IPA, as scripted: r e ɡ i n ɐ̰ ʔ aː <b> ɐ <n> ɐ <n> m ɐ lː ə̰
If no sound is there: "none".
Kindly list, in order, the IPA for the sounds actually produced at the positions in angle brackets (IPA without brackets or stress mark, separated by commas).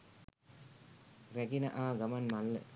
ɡ, m, n